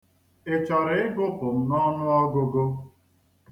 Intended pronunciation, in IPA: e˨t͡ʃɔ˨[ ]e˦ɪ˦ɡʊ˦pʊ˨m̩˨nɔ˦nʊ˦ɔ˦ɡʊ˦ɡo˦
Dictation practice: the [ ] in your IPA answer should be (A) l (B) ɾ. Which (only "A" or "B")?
B